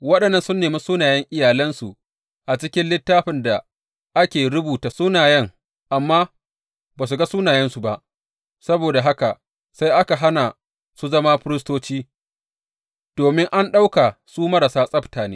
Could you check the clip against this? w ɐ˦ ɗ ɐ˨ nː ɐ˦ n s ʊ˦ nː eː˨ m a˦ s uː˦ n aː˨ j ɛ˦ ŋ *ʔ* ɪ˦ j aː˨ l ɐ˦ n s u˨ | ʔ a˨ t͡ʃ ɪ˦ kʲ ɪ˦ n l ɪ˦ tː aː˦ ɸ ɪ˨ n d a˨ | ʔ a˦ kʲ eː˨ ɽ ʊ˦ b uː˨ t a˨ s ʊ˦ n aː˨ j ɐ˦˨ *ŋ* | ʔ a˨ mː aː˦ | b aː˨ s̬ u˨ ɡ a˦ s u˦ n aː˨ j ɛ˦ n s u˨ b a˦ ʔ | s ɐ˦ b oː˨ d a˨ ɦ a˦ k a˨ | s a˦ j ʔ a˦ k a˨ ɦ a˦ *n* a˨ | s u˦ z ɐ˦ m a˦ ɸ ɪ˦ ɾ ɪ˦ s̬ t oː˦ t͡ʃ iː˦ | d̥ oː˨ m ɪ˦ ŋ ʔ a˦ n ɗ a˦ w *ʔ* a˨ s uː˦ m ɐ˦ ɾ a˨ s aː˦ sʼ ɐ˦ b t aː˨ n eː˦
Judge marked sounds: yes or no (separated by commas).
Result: yes, yes, yes, no